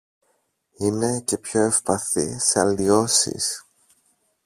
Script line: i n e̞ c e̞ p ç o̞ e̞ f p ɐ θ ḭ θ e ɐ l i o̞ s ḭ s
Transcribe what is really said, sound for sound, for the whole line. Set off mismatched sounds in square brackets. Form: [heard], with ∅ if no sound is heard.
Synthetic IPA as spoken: i n e̞ c e̞ p ç o̞ e̞ f p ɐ θ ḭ [s] e ɐ l i o̞ s ḭ s